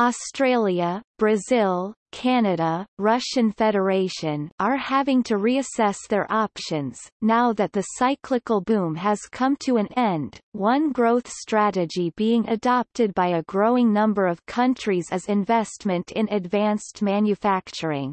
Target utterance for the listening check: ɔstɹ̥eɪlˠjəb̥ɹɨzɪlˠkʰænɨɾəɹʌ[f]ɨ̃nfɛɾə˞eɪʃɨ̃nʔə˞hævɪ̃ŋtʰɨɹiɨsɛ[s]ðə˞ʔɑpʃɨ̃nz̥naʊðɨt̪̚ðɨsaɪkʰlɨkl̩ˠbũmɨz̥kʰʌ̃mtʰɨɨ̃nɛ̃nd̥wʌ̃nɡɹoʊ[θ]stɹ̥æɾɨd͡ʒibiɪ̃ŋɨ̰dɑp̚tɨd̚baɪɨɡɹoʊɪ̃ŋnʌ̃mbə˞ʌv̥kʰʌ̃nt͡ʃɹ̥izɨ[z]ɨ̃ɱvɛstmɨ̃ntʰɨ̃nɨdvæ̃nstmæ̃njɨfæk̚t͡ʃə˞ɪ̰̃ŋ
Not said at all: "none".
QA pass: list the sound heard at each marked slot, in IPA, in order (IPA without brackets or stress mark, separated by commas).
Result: ʃ, s, θ, z